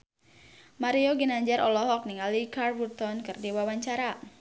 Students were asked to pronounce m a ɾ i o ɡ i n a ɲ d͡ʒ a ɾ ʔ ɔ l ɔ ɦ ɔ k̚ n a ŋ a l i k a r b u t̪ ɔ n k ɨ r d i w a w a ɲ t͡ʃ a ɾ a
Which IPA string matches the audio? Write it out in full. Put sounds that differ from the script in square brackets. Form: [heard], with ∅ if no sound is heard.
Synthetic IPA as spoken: m a ɾ i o ɡ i n a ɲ d͡ʒ a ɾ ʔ ɔ l ɔ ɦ ɔ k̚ n [i] ŋ a l i k a r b u t̪ ɔ n k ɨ r d i w a w a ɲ t͡ʃ a ɾ a